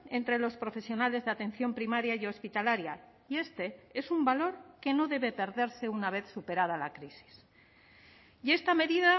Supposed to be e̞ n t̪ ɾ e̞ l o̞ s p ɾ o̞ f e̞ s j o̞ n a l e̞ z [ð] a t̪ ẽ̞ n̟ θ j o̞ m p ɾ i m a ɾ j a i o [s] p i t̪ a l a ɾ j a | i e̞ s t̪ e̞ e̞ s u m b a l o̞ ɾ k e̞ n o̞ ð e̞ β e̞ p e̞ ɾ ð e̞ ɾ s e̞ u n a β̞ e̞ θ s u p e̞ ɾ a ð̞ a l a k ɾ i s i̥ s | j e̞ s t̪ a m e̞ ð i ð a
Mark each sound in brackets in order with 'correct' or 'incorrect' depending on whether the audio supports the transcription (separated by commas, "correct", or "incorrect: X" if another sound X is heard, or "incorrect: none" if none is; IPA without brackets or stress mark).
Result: correct, correct